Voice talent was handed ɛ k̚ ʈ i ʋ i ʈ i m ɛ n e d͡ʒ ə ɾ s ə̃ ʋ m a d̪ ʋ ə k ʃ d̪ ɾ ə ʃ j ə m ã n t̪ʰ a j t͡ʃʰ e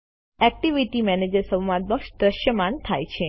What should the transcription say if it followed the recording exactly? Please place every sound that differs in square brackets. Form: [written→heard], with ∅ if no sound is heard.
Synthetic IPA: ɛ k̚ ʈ i ʋ i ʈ i m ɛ n e d͡ʒ ə ɾ s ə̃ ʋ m a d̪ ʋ ə k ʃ d̪ ɾ ə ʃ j ə m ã n t̪ʰ a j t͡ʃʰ e